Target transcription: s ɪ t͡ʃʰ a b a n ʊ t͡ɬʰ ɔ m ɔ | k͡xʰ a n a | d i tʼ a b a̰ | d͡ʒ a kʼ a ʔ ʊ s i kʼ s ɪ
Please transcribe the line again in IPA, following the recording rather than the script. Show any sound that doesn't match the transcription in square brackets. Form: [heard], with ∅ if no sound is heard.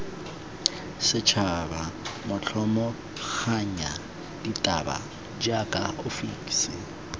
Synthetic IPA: s ɪ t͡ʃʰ a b a [m] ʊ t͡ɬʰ ɔ m ɔ | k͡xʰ a [ɲ] a | d i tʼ a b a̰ | d͡ʒ a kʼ a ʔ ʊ [f] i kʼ s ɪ